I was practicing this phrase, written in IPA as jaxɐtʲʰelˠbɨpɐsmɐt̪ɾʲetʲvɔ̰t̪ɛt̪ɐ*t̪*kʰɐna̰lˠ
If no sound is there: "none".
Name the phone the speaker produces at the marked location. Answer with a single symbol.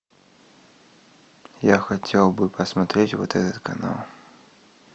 t̪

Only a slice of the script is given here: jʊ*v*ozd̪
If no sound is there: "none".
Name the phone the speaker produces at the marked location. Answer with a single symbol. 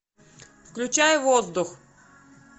v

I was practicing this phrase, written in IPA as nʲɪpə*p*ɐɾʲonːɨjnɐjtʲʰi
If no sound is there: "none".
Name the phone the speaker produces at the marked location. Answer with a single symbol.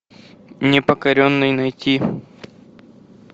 k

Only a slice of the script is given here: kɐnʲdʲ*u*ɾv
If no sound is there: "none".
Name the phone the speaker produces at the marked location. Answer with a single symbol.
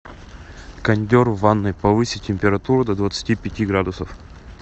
o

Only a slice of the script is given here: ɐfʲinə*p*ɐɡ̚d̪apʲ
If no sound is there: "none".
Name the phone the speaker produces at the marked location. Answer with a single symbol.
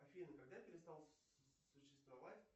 k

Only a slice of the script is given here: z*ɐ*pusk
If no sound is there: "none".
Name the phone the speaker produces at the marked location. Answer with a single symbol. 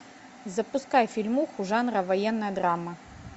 ɐ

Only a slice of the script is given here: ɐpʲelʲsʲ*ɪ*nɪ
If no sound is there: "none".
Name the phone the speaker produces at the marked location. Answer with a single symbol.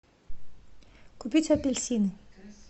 i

